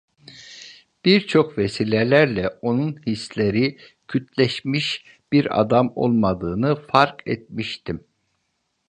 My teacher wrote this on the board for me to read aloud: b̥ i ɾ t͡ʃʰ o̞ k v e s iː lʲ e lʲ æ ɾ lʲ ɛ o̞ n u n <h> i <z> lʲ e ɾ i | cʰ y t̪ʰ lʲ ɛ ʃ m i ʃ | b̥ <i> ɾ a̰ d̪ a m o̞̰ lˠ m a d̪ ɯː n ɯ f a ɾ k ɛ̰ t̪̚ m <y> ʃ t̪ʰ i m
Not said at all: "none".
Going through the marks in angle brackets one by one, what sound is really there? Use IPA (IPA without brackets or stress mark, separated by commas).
h, s, i, i